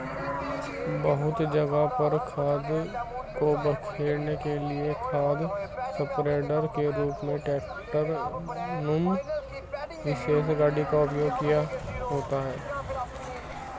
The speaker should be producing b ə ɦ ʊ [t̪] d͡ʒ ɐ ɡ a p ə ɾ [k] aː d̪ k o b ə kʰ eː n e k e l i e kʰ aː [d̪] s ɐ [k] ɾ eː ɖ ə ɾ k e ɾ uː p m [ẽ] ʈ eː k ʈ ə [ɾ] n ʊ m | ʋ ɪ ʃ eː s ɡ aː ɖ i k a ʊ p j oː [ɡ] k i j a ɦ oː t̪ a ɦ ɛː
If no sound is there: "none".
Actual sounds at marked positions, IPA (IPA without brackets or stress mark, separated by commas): t̪, kʰ, d̪, p, ẽ, ɾ, ɡ